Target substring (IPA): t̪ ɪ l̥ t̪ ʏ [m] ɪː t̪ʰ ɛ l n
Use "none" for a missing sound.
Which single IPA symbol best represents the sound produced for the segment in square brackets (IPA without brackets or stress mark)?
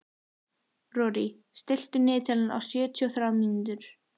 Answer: n